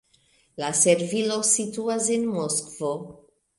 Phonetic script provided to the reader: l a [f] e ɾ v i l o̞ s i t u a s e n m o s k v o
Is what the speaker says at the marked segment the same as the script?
no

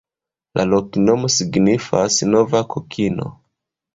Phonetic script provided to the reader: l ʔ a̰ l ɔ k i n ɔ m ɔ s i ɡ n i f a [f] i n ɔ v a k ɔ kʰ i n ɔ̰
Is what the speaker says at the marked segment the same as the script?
no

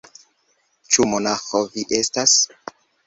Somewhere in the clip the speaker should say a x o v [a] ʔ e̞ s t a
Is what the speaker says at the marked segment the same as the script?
no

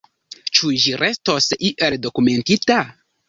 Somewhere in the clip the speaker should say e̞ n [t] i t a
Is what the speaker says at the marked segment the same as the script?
yes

